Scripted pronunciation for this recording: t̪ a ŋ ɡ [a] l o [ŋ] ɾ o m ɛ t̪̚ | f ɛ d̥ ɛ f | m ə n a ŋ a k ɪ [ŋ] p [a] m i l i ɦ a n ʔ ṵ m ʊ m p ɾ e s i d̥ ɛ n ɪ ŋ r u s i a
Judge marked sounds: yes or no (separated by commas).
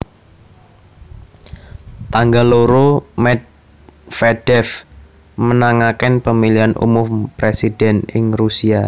yes, no, no, no